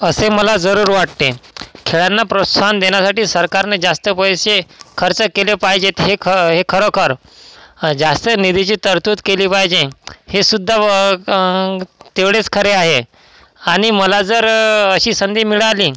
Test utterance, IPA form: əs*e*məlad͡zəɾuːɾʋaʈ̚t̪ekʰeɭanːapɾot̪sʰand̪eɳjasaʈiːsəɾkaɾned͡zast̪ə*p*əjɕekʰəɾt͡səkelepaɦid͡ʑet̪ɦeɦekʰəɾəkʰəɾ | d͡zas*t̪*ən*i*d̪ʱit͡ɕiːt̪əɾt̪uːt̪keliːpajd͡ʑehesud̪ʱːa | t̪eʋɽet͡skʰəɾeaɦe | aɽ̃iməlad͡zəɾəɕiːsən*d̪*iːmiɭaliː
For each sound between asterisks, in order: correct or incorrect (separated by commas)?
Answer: correct, correct, correct, correct, correct